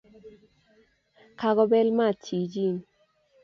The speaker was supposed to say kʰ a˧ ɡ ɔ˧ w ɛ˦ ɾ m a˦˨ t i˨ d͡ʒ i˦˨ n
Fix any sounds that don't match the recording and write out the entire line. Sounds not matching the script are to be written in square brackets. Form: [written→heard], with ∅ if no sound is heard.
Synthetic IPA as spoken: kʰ a˧ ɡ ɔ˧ [w→b] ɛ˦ [ɾ→l] m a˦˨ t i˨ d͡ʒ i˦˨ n